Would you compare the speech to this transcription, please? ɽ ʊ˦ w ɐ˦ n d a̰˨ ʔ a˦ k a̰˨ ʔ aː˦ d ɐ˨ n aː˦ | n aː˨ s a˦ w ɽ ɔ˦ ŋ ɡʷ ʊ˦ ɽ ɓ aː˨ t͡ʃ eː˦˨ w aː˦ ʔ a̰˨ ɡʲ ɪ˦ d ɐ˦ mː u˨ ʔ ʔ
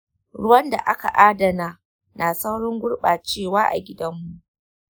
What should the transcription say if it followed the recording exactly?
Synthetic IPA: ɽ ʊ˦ w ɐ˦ n d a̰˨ ʔ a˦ k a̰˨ ʔ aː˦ d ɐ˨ n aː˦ | n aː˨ s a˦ w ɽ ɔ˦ ŋ ɡʷ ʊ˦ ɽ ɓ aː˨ t͡ʃ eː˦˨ w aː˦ ʔ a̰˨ ɡʲ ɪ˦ d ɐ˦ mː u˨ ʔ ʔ